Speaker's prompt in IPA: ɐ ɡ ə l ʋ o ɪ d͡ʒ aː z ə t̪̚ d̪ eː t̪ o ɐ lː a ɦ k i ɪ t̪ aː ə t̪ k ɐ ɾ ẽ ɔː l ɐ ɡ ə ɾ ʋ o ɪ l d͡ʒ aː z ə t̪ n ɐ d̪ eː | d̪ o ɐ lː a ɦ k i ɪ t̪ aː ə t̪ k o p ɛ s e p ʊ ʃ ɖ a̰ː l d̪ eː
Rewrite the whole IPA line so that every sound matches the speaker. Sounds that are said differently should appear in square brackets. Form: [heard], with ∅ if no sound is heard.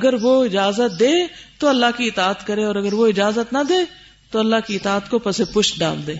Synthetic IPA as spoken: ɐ ɡ ə [ɾ] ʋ o ɪ d͡ʒ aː z ə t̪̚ d̪ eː t̪ o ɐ lː a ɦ k i ɪ t̪ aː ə t̪ k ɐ ɾ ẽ ɔː [ɾ] ɐ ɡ ə ɾ ʋ o ɪ [∅] d͡ʒ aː z ə t̪ n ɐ d̪ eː | [t̪] o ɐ lː a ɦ k i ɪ t̪ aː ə t̪ k o p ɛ s e p ʊ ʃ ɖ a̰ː l d̪ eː